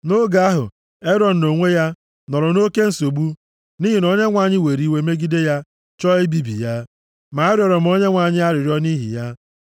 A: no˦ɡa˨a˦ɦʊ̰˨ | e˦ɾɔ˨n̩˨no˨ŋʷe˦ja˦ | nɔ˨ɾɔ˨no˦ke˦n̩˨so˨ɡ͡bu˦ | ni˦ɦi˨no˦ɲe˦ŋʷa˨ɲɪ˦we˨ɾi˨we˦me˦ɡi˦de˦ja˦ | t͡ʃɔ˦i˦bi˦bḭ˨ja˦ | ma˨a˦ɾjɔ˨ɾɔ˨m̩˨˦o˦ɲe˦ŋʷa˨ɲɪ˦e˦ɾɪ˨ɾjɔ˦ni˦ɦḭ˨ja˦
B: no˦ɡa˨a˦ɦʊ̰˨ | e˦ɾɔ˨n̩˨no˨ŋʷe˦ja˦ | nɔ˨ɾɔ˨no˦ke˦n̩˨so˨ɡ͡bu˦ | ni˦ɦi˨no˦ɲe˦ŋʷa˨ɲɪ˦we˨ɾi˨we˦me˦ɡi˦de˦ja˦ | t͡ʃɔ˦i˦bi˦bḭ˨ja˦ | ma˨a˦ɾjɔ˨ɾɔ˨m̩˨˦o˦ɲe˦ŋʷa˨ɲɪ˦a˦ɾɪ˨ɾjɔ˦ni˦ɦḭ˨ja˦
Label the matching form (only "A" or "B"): B